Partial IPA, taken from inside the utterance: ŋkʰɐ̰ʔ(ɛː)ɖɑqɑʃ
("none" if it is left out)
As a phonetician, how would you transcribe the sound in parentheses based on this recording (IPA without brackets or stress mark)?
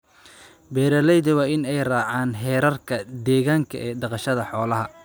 ɛː